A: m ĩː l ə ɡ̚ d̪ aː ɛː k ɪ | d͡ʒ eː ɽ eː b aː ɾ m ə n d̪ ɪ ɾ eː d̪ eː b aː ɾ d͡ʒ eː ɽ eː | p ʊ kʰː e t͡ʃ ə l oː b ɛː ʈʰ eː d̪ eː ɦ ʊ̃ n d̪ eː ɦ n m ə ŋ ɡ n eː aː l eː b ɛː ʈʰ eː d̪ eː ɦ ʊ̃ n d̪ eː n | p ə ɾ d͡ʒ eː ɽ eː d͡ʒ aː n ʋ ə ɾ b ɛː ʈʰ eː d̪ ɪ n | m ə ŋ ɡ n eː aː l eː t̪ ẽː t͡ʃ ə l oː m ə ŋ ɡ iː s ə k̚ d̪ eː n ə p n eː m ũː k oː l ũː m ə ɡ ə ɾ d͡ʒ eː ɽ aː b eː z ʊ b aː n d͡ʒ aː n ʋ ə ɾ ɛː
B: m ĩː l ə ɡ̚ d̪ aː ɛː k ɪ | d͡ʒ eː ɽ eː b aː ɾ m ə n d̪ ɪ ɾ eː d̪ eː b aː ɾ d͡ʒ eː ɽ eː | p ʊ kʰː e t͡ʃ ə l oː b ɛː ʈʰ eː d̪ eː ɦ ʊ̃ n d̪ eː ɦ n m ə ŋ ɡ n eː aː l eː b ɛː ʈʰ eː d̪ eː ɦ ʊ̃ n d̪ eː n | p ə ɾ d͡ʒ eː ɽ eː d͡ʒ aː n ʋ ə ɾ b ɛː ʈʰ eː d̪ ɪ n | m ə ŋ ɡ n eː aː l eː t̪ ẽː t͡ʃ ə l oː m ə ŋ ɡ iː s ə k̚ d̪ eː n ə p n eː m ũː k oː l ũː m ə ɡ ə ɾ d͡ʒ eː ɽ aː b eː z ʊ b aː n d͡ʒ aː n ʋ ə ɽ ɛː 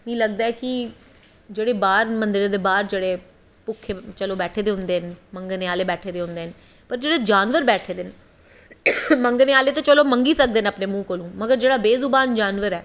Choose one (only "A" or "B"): A